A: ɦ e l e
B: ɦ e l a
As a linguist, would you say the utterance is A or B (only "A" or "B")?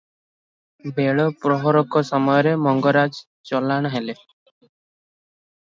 A